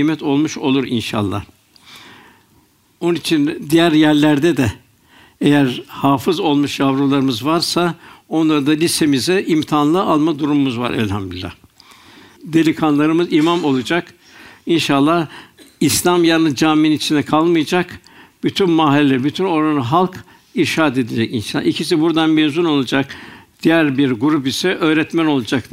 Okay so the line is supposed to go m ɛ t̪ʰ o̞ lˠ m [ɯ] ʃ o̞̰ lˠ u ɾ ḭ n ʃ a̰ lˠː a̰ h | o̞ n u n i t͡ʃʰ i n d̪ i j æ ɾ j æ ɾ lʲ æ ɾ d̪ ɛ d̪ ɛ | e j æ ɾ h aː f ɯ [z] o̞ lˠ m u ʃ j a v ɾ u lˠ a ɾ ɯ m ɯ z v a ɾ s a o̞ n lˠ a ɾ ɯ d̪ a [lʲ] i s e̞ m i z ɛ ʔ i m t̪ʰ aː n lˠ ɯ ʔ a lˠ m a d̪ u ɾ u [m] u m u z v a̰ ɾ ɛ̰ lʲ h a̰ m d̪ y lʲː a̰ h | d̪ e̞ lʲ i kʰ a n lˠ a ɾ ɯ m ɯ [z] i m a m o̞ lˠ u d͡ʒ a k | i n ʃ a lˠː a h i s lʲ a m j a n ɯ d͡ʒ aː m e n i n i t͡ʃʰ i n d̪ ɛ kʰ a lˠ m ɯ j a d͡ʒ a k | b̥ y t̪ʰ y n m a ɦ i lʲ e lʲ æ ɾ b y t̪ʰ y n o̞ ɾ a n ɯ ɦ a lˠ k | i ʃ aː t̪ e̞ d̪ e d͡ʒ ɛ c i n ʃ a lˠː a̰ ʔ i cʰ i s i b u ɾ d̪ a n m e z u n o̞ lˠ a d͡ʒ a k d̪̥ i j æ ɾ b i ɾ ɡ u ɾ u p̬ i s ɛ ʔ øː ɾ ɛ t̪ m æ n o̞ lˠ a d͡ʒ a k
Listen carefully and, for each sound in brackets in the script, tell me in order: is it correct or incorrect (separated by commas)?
incorrect, correct, correct, correct, correct